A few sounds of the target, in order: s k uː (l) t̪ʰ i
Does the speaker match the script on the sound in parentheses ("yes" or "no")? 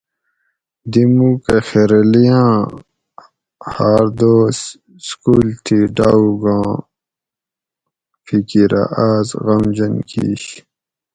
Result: yes